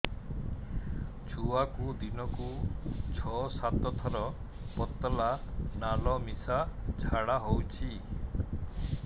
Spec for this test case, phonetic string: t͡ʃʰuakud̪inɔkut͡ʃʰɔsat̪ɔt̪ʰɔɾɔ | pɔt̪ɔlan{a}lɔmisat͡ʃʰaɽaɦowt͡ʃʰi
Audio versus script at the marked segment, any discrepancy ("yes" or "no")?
no